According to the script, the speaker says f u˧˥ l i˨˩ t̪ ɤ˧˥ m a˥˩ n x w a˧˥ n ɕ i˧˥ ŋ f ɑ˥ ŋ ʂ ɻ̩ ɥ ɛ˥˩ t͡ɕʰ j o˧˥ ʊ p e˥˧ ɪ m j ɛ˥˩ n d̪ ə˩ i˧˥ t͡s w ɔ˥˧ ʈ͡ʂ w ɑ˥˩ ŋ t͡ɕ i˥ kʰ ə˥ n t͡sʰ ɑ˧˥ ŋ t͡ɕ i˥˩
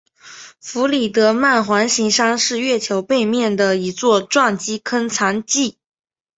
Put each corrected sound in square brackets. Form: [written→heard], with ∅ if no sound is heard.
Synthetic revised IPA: f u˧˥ l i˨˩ t̪ ɤ˧˥ m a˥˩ n x w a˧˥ n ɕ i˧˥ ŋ [f→ʂ] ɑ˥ ŋ ʂ ɻ̩ ɥ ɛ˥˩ t͡ɕʰ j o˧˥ ʊ p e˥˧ ɪ m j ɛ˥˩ n d̪ ə˩ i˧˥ t͡s w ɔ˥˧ ʈ͡ʂ w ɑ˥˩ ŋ t͡ɕ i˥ kʰ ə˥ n t͡sʰ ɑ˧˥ ŋ t͡ɕ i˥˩